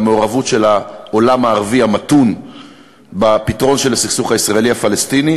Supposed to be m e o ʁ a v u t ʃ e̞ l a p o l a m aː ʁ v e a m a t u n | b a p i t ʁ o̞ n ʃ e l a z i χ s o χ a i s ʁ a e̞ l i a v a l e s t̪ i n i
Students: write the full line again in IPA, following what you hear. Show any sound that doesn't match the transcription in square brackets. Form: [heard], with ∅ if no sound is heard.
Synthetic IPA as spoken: m e o ʁ a v u t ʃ e̞ l a [∅] o l a m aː ʁ v [i] a m a t u n | b a p i t ʁ o̞ n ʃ e l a [s] i χ s [u] χ a i s ʁ a e̞ l i a [f] a l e s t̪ i n i